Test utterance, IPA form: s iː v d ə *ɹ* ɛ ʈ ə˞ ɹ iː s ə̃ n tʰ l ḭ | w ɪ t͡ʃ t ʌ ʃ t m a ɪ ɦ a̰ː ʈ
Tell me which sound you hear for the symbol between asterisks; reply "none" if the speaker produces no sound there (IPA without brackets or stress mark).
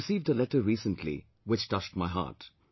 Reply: l